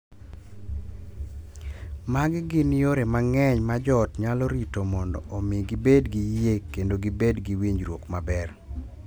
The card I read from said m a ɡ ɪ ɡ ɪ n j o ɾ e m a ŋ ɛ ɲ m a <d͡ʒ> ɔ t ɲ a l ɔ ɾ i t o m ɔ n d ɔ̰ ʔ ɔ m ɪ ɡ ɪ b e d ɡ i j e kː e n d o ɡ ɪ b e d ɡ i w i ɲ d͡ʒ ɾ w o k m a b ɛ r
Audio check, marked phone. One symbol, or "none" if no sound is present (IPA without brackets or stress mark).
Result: d͡ʒ